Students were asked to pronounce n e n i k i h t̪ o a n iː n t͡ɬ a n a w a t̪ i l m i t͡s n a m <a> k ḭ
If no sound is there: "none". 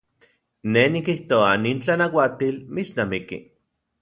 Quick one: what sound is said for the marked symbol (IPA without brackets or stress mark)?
i